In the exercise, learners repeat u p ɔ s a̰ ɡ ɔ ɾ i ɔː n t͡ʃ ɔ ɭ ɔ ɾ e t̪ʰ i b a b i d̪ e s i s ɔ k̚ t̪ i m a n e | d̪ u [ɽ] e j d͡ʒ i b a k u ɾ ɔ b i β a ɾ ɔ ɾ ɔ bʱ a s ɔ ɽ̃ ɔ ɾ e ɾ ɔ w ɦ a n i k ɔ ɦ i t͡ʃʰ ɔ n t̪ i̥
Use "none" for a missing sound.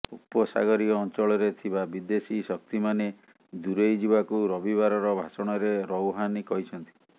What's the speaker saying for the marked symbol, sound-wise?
ɾ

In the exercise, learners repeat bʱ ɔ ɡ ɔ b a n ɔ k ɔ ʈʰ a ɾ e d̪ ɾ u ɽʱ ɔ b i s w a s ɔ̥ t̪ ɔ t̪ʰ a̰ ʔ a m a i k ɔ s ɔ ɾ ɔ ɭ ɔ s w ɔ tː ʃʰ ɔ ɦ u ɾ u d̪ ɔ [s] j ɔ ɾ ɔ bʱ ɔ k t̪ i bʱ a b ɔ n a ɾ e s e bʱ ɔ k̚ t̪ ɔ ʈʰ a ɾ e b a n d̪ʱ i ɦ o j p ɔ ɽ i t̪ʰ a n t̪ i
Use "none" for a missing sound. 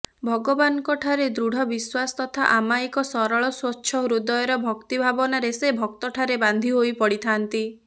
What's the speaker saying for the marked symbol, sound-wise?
none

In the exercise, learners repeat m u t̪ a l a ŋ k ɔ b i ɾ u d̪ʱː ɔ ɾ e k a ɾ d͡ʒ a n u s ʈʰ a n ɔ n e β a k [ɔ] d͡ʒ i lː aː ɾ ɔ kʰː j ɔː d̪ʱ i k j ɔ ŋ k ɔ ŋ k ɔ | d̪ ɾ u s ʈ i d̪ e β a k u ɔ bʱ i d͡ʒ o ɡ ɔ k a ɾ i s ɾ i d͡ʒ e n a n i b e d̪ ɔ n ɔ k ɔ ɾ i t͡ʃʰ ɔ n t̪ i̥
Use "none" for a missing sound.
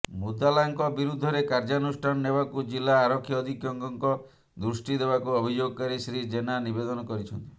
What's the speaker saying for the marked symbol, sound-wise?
u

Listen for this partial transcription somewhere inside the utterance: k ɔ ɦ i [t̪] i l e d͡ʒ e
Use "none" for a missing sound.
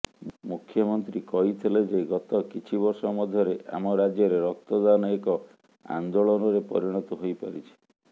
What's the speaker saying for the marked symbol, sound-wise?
t̪ʰ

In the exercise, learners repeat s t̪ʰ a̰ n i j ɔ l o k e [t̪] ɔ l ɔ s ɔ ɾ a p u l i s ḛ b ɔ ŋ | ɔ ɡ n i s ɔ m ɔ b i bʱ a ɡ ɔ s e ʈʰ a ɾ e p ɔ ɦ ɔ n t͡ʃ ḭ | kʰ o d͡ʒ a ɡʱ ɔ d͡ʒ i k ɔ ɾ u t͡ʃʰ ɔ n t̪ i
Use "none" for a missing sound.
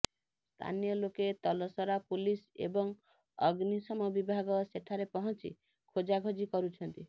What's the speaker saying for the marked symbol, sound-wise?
t̪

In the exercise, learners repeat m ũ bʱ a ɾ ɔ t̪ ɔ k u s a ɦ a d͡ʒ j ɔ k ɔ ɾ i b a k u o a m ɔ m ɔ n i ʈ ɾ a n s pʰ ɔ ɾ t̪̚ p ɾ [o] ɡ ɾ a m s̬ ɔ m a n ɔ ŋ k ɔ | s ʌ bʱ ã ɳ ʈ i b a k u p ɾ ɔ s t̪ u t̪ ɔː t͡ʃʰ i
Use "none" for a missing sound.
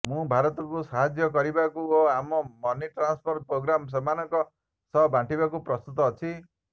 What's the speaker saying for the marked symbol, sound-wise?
o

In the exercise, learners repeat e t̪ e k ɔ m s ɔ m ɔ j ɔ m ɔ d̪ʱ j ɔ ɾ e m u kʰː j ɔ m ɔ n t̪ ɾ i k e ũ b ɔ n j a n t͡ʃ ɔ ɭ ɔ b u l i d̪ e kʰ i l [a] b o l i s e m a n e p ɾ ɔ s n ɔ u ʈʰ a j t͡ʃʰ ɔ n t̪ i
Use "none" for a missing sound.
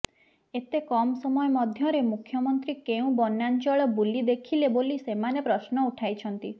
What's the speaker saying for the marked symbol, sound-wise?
e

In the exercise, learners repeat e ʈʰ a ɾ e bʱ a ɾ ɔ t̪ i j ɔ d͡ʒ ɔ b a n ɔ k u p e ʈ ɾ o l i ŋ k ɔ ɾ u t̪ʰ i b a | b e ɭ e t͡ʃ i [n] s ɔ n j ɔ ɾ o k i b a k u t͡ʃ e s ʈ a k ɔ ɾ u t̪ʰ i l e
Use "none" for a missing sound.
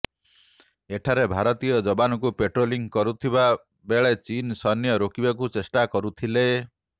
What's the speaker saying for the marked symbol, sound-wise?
n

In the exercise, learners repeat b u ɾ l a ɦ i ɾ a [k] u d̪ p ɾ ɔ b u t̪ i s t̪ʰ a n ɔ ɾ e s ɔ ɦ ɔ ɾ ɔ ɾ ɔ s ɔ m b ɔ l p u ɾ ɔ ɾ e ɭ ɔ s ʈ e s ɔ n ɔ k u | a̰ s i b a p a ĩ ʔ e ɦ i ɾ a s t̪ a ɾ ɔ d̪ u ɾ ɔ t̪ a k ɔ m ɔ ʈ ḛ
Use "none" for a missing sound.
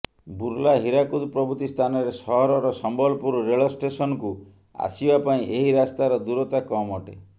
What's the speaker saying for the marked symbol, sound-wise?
k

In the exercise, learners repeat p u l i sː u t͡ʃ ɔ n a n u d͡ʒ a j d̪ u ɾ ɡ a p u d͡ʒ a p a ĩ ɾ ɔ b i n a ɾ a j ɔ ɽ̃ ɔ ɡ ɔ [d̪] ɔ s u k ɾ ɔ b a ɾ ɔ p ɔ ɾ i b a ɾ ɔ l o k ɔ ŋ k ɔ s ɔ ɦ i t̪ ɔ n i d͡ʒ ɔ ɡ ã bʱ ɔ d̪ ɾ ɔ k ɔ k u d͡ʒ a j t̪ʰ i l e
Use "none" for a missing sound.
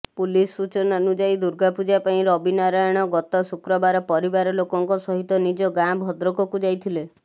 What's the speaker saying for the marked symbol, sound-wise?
t̪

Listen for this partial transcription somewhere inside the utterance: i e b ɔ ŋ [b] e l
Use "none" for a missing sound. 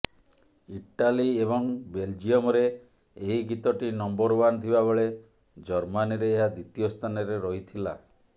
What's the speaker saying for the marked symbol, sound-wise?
b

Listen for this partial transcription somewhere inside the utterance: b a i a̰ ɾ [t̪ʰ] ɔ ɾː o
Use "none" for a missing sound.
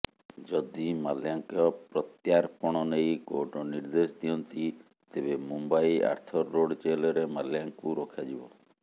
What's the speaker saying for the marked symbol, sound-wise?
t̪ʰ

